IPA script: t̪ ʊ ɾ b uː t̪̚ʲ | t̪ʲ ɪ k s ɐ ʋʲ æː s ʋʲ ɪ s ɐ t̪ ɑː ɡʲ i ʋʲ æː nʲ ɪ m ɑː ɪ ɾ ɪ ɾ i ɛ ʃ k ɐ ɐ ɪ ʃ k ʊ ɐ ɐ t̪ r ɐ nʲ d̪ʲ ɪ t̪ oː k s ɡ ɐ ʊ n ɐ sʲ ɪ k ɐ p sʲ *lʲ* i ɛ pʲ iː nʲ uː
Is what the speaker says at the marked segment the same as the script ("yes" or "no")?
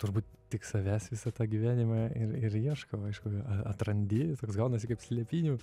yes